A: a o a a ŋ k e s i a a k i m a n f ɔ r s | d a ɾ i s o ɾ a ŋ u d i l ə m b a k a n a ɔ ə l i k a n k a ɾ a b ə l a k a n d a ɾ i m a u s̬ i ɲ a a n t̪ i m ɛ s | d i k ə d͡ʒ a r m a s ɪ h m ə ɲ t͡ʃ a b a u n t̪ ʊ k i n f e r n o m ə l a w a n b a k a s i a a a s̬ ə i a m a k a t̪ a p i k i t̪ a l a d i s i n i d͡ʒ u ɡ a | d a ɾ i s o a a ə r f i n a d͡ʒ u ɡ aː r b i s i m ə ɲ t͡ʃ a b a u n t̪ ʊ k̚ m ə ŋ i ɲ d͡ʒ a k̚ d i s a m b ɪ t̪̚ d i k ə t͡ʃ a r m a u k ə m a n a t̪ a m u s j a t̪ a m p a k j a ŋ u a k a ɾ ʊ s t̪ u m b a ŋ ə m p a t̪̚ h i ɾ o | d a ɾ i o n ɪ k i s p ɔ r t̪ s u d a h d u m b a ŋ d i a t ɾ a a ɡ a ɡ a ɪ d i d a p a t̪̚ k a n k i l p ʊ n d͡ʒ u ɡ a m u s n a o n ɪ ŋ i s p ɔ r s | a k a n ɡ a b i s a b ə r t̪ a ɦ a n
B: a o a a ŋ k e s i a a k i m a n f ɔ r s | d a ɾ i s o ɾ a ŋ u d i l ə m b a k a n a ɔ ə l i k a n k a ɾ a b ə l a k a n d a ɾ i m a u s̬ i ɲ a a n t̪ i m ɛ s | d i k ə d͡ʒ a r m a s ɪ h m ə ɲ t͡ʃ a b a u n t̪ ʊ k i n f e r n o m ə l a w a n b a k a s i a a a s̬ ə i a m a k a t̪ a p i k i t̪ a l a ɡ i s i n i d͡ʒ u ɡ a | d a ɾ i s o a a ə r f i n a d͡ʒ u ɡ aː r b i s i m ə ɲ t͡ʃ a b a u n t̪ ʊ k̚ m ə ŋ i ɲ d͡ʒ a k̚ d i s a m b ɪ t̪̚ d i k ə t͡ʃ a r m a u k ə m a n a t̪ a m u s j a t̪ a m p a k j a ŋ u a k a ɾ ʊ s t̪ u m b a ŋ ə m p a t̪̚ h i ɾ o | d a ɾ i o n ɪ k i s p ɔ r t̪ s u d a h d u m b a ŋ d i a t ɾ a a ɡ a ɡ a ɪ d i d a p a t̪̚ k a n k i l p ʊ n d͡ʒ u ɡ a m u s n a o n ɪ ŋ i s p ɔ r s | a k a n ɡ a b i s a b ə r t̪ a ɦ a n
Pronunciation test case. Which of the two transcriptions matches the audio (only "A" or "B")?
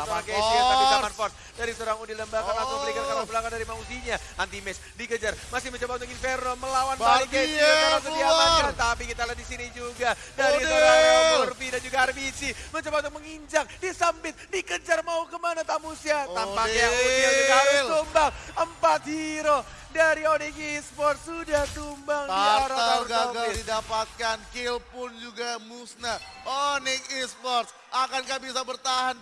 A